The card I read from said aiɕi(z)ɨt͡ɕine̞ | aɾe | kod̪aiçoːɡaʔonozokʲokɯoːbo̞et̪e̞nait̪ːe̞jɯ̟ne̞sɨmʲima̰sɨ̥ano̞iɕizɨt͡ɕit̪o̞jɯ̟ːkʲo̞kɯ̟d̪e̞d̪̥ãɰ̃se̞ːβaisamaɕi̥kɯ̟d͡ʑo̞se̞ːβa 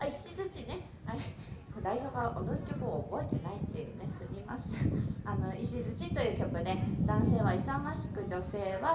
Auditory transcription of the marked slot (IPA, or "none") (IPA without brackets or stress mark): z